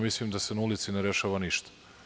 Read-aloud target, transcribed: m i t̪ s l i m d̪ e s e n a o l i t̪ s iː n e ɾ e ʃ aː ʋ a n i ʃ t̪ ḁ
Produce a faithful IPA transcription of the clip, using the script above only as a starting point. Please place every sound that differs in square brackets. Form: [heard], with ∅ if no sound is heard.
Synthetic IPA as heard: m i [∅] s l i m d̪ [a] s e n a [u] l i t̪ s [i] n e ɾ e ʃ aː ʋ a n i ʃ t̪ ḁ